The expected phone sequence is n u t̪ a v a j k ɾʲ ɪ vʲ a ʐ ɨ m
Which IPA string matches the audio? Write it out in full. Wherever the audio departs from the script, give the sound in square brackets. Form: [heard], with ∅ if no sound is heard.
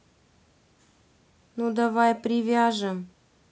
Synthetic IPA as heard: n u [d̪] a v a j [p] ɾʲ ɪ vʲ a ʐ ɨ m